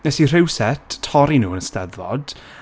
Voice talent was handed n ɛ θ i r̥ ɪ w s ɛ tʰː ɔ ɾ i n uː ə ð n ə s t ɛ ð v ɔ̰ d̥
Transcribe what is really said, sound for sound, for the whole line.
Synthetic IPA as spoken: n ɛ s i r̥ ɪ w s ɛ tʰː ɔ ɾ i n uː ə n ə s t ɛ ð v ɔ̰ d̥